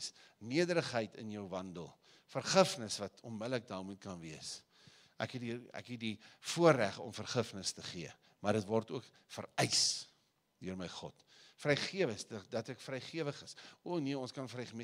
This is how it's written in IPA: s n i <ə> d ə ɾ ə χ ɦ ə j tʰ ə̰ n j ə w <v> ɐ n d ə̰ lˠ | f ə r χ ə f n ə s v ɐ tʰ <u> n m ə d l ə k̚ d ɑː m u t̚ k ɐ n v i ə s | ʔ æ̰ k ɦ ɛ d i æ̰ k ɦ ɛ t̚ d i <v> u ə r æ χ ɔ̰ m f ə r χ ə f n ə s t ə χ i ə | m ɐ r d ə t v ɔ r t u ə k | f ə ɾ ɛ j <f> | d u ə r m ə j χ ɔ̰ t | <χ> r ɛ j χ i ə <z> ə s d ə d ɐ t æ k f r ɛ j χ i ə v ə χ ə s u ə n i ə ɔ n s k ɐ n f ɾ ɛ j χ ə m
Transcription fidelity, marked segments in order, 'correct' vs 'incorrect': correct, correct, incorrect, incorrect, incorrect, incorrect, incorrect

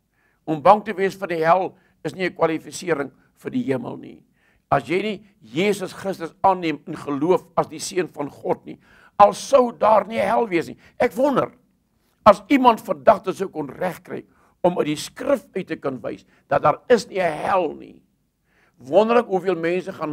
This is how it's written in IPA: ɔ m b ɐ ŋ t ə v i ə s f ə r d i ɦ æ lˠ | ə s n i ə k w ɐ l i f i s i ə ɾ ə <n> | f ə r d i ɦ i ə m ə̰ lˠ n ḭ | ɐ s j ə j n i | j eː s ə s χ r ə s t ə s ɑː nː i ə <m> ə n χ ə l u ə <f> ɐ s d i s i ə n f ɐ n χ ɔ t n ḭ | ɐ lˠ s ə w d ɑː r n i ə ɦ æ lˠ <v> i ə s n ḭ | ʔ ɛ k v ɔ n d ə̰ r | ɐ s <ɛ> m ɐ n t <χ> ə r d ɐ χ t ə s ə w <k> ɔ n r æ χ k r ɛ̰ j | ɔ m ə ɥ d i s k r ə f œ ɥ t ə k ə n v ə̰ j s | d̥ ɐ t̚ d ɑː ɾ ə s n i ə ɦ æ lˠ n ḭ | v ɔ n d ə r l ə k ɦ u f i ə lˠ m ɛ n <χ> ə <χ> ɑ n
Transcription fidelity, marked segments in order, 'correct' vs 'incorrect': incorrect, correct, correct, correct, incorrect, incorrect, correct, incorrect, correct

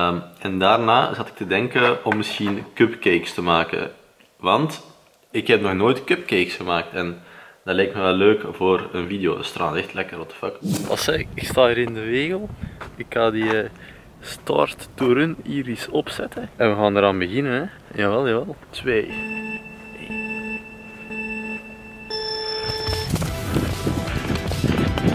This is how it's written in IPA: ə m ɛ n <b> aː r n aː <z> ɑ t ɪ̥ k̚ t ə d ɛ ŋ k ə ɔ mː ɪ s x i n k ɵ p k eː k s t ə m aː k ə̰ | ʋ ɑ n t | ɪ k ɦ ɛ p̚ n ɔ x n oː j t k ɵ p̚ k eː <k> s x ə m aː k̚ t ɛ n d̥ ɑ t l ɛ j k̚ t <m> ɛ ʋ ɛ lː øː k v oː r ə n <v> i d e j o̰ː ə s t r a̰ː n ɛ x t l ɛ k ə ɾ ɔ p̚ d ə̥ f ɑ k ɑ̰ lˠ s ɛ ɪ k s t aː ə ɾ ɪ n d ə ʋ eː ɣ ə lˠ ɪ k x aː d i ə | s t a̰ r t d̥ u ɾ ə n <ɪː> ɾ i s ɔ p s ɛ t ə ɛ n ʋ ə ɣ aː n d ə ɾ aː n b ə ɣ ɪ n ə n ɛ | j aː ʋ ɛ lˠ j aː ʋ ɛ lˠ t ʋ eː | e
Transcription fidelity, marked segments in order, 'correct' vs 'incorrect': incorrect, correct, correct, correct, correct, incorrect

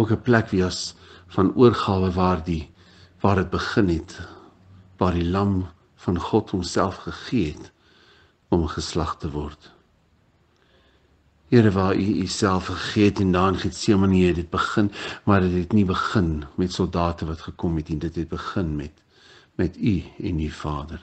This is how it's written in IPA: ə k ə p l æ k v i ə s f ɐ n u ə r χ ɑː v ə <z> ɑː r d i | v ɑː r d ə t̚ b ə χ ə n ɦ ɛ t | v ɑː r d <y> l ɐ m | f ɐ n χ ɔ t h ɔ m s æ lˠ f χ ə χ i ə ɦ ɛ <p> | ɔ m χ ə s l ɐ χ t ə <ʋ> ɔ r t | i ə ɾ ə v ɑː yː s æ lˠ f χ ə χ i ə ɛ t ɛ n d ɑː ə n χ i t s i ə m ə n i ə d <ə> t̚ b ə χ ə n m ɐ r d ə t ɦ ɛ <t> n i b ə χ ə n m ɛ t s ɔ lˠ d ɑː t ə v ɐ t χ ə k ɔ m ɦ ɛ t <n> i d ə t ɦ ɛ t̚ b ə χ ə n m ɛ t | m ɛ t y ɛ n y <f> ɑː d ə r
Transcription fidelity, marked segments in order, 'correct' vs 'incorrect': incorrect, incorrect, incorrect, incorrect, correct, correct, correct, correct

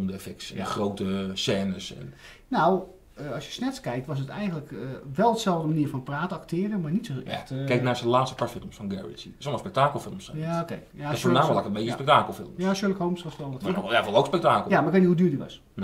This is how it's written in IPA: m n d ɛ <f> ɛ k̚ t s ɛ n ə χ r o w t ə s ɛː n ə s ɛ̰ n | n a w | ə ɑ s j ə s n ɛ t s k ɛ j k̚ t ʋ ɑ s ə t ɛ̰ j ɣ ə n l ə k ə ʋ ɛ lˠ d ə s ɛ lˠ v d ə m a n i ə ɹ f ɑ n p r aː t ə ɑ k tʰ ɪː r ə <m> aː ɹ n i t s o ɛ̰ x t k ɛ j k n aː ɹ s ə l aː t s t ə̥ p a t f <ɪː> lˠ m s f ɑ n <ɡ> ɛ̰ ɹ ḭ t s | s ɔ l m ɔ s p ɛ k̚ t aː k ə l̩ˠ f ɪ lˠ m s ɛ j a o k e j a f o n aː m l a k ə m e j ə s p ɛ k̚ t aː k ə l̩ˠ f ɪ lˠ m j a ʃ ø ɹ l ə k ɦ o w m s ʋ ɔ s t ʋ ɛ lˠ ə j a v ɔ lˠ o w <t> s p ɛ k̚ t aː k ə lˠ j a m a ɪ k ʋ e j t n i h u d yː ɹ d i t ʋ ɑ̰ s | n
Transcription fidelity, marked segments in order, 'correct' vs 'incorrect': correct, correct, incorrect, correct, incorrect

